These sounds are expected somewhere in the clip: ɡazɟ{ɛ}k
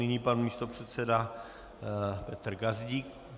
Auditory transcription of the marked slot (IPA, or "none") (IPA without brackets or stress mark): i